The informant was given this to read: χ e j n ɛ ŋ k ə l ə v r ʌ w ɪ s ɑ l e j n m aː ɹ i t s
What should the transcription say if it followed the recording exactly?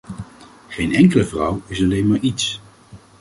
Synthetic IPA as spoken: χ e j n ɛ ŋ k ə l ə v r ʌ w ɪ s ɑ l e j n m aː ɹ i t s